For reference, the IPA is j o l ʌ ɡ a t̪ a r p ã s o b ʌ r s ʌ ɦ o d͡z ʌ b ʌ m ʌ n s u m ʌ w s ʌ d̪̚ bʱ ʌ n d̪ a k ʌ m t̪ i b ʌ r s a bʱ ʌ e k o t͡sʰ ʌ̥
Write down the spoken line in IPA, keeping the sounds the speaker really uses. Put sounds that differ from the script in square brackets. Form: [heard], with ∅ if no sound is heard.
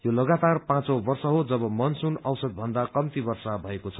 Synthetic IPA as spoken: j o l ʌ ɡ a t̪ a r p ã [t͡s] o b ʌ r s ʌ ɦ o d͡z ʌ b ʌ m ʌ n s u [n] ʌ w s ʌ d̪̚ bʱ ʌ n d̪ a k ʌ m t̪ i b ʌ r s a bʱ ʌ e k o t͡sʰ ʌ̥